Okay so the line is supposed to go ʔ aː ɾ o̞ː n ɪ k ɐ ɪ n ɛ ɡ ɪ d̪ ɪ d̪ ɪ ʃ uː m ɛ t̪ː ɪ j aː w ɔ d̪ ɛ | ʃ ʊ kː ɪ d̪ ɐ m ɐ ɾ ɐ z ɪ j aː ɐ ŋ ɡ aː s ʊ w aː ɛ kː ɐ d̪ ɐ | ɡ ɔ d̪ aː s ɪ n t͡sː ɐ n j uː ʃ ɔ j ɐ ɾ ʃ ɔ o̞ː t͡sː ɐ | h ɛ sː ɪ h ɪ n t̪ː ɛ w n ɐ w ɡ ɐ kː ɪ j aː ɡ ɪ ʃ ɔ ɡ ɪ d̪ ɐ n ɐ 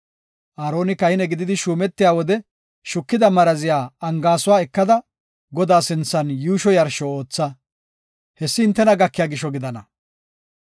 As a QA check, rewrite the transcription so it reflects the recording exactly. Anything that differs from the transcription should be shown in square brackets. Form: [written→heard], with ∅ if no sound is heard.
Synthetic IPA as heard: ʔ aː ɾ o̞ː n ɪ k ɐ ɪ n ɛ ɡ ɪ d̪ ɪ d̪ ɪ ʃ uː m ɛ t̪ː ɪ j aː w ɔ d̪ ɛ | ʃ ʊ kː ɪ d̪ ɐ m ɐ ɾ ɐ z ɪ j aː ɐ ŋ ɡ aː s ʊ w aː ɛ kː ɐ d̪ ɐ | ɡ ɔ d̪ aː s ɪ n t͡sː ɐ n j uː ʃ ɔ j ɐ ɾ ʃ ɔ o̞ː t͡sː ɐ | h ɛ sː ɪ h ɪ n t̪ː ɛ [w→∅] n ɐ [w→∅] ɡ ɐ kː ɪ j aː ɡ ɪ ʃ ɔ ɡ ɪ d̪ ɐ n ɐ